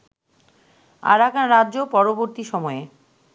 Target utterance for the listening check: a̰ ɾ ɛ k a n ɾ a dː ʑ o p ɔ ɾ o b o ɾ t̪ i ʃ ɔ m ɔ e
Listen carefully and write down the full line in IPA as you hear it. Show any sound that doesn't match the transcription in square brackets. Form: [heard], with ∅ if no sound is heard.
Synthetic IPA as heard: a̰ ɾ [a] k a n ɾ a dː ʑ o p ɔ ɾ o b o ɾ t̪ i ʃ ɔ m ɔ e